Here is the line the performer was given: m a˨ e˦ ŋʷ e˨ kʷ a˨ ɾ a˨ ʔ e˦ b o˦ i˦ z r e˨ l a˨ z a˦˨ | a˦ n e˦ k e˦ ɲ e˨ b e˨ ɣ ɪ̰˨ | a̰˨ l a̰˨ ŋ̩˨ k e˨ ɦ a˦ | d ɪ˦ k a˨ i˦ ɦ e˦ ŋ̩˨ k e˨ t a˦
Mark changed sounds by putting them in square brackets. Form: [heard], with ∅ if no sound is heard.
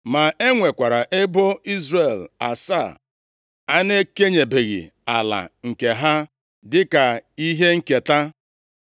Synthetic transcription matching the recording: m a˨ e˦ ŋʷ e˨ kʷ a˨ ɾ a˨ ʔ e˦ b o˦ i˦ z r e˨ l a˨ [s] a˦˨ | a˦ n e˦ k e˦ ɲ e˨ b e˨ ɣ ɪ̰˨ | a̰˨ l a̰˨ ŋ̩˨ k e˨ ɦ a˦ | d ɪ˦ k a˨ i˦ ɦ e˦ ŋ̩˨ k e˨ t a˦